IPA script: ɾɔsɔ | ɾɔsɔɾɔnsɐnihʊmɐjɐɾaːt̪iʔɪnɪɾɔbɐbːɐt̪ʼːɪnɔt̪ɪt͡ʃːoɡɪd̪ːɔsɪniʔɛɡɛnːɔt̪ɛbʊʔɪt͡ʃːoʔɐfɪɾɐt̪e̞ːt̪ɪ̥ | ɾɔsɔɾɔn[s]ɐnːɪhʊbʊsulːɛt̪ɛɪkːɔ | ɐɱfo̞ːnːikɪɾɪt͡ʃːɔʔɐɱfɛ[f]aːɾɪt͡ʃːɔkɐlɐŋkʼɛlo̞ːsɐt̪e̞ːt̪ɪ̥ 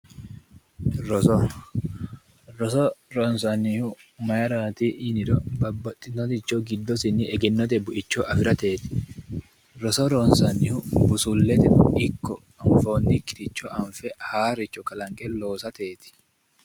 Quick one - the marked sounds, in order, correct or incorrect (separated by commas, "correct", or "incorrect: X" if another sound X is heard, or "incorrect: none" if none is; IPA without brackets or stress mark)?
correct, incorrect: h